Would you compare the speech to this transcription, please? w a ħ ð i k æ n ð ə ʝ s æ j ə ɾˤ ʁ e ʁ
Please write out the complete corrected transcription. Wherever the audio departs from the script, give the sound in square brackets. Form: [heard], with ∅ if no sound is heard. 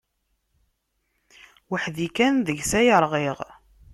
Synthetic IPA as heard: w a ħ ð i k æ n ð ə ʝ s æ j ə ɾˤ ʁ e ʁ